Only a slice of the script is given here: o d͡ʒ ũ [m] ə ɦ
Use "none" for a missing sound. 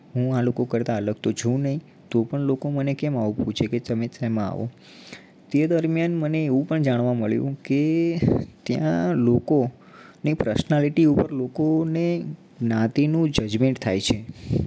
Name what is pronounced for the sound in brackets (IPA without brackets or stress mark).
n